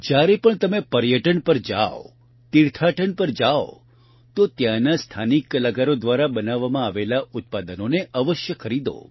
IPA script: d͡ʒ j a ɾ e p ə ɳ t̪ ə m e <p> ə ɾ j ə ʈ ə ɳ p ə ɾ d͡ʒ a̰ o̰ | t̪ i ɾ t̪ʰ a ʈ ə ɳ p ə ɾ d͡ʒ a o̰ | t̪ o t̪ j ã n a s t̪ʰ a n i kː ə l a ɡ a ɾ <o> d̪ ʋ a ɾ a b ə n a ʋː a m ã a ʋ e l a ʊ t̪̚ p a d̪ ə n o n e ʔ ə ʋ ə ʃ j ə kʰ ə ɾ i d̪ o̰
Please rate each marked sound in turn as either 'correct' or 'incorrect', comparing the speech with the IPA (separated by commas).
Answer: correct, correct